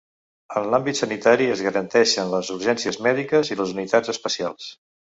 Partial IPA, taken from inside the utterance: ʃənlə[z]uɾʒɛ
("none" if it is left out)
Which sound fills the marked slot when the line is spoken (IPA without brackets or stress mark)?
z